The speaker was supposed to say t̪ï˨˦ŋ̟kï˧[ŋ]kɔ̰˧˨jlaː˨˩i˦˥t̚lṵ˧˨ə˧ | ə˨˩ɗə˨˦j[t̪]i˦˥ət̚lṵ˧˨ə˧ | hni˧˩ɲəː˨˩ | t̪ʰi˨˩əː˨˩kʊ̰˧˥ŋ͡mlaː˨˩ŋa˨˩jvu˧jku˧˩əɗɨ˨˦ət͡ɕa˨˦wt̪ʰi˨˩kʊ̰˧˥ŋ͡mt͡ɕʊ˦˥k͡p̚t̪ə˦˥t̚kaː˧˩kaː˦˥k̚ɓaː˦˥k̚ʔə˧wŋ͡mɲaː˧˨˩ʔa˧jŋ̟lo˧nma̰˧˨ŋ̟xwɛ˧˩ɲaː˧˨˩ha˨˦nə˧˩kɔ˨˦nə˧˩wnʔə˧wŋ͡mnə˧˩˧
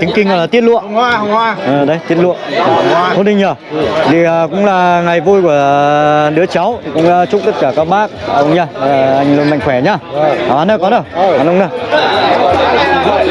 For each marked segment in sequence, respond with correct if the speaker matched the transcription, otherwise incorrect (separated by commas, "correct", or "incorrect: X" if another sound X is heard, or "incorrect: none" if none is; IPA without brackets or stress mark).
correct, correct